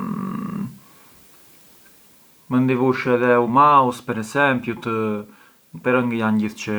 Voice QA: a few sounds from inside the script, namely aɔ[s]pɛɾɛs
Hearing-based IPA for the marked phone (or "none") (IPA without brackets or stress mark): s